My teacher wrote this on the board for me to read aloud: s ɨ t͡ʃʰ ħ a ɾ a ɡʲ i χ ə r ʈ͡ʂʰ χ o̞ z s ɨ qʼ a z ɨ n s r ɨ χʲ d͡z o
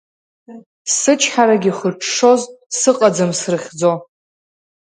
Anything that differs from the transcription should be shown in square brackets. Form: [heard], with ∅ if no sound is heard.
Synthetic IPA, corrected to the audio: s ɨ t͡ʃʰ ħ a ɾ a ɡʲ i χ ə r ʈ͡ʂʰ [ʂ] o̞ z s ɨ qʼ a [d͡z] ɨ [m] s r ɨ χʲ d͡z o